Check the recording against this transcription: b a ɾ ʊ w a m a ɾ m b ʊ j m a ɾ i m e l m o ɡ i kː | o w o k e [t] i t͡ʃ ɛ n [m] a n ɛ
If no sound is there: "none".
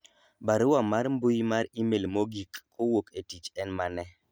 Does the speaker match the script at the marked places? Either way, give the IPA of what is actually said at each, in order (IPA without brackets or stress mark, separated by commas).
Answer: t, m